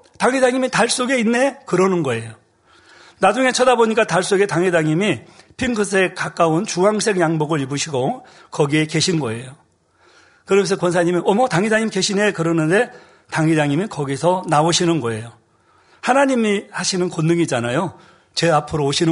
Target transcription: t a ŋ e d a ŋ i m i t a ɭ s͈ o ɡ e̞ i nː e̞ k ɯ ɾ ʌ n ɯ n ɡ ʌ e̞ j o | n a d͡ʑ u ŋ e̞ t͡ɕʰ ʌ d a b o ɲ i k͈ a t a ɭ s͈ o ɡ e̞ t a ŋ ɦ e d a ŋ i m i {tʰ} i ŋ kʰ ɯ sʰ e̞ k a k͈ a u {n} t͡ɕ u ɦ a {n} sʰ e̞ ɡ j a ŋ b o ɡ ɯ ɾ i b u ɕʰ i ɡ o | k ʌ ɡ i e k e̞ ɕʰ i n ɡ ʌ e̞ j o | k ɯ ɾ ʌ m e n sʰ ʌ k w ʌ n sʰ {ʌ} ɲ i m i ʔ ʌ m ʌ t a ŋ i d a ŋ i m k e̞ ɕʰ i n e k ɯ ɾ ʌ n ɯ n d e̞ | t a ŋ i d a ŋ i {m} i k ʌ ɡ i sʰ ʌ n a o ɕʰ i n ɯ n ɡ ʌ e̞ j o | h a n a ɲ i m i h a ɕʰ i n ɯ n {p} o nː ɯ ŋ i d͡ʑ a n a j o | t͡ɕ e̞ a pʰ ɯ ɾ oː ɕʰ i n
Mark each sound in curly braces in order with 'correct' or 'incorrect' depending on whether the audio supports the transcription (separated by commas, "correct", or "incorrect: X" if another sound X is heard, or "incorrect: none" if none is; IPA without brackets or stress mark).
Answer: incorrect: pʰ, correct, incorrect: ŋ, incorrect: a, correct, incorrect: k